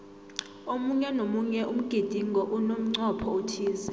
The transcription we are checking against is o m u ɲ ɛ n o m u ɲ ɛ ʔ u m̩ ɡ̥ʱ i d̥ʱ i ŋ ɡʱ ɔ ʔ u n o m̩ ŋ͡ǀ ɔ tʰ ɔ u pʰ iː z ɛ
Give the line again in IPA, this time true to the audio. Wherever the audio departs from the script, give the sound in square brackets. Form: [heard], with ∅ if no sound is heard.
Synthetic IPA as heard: o m u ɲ ɛ n o m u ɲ ɛ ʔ u m̩ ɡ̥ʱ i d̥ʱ i ŋ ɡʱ ɔ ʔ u n o m̩ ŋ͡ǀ ɔ [pʰ] ɔ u [tʰ] iː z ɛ